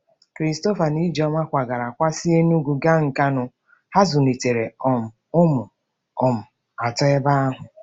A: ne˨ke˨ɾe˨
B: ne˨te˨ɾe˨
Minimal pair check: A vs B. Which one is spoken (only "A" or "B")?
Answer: B